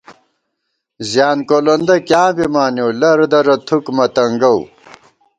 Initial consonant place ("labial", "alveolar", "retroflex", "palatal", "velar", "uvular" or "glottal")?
alveolar